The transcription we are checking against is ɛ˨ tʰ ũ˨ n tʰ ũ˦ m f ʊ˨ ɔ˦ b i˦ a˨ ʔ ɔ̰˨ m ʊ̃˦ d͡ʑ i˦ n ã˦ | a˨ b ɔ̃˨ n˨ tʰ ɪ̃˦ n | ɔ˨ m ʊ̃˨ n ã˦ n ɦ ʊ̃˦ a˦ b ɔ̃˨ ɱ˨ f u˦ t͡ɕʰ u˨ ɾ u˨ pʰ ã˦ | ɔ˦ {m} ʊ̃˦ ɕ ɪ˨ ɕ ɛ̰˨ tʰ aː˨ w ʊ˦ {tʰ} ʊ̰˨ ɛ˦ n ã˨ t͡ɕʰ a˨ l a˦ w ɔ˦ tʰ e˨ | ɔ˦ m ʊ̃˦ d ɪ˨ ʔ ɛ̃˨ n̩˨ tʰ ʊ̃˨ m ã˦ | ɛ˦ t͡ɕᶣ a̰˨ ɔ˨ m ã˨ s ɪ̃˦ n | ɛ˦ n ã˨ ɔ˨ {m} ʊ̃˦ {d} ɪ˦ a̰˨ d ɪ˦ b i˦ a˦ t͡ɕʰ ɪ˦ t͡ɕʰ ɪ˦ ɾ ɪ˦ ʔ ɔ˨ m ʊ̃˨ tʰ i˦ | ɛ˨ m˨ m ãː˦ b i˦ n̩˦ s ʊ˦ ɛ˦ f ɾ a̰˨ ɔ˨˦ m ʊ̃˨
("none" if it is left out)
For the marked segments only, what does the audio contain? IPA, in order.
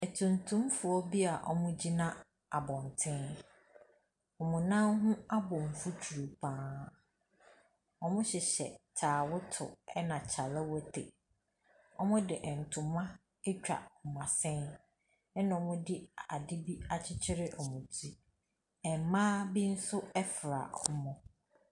m, tʰ, m, d

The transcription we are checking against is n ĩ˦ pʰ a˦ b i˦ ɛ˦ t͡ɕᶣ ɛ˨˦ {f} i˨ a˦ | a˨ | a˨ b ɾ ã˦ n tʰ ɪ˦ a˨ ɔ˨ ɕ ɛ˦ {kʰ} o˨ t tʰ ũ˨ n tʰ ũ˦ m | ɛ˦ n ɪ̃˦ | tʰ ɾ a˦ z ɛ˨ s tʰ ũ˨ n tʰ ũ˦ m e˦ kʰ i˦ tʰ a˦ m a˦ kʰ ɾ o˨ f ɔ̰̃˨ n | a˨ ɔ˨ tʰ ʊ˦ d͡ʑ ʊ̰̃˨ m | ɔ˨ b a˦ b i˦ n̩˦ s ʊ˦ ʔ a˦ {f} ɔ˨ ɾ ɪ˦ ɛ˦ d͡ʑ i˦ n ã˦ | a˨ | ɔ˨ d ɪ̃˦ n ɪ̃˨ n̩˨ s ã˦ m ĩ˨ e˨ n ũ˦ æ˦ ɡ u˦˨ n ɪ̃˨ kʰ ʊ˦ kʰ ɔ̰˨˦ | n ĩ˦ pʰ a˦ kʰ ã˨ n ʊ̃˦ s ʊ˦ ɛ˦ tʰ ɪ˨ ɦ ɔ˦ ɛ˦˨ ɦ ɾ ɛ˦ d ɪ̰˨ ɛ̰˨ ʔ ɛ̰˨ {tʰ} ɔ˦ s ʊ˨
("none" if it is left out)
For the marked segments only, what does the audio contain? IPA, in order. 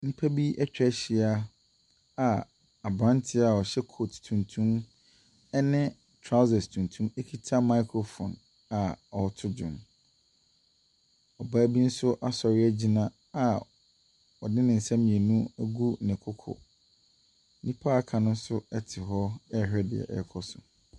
ɕ, kʰ, s, kʰ

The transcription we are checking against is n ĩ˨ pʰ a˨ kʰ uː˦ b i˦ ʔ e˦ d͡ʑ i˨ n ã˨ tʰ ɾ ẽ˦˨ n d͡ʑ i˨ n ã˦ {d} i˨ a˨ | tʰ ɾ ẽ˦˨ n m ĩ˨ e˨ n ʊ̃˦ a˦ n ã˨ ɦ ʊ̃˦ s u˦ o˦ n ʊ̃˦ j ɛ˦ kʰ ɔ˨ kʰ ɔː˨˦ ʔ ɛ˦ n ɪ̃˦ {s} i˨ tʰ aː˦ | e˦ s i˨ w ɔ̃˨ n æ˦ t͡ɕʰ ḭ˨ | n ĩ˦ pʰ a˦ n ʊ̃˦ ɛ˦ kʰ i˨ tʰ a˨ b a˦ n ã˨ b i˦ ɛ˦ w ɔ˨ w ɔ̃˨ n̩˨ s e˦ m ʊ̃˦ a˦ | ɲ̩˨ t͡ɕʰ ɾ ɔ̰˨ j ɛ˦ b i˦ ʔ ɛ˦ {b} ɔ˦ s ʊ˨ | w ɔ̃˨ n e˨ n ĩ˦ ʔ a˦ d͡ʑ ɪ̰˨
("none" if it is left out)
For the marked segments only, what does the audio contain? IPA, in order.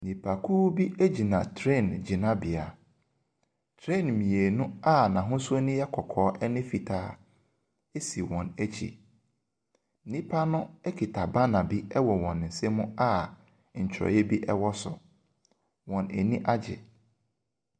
b, f, w

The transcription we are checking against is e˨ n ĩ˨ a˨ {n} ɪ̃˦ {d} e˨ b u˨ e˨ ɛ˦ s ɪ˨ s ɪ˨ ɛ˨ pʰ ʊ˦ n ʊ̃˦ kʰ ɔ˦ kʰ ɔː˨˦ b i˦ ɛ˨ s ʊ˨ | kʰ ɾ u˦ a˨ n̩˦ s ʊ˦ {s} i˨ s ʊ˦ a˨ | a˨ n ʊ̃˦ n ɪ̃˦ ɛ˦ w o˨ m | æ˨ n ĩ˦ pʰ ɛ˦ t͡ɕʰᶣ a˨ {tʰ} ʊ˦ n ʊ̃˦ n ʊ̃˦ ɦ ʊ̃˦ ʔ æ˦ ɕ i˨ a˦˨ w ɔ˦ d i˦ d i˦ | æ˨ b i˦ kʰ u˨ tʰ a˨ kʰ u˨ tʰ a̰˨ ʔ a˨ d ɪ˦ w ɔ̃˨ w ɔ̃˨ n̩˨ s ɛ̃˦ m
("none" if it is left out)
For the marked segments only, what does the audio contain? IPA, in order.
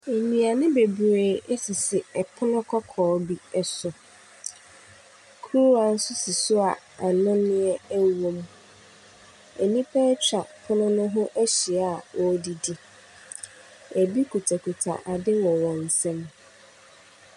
n, b, s, pʰ

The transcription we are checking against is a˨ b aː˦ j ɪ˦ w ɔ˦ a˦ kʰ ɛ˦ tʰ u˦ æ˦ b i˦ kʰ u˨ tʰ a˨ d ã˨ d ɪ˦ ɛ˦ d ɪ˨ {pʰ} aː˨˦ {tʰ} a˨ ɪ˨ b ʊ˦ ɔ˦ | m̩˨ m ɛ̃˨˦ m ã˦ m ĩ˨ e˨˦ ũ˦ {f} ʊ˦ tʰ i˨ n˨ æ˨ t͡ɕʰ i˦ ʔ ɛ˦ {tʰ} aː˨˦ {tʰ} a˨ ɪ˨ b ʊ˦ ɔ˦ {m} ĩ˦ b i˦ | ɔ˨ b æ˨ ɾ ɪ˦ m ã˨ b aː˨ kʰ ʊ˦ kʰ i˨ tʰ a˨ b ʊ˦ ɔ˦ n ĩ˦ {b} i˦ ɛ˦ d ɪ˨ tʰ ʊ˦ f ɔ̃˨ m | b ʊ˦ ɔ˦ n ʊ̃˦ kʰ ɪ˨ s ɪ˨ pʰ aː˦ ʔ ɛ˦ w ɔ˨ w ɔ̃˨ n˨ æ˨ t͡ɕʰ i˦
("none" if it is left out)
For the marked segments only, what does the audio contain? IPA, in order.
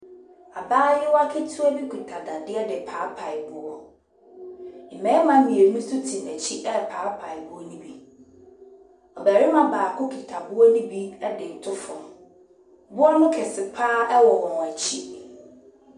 pʰ, pʰ, s, pʰ, pʰ, n, b

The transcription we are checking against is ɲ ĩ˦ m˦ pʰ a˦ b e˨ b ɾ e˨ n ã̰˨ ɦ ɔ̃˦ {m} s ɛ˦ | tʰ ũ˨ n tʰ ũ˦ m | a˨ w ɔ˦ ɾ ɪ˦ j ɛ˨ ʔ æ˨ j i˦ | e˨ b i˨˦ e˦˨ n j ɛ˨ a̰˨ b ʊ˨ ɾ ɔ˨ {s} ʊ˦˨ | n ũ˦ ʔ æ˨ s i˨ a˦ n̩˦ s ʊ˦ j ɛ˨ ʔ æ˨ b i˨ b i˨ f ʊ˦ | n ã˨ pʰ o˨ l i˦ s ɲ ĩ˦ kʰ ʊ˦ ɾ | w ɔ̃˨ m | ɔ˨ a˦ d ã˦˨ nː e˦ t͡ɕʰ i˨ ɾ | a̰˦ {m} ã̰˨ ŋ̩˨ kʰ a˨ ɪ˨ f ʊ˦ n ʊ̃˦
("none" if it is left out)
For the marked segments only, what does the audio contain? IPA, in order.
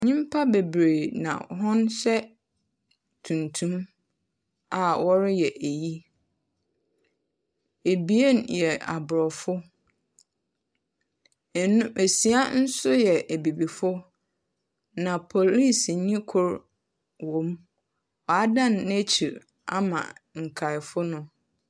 n, f, m

